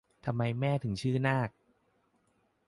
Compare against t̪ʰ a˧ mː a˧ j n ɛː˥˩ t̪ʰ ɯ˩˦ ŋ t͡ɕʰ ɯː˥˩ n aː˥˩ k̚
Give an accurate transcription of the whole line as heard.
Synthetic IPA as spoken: t̪ʰ a˧ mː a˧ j m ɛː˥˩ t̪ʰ ɯ˩˦ ŋ t͡ɕʰ ɯː˥˩ n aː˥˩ k̚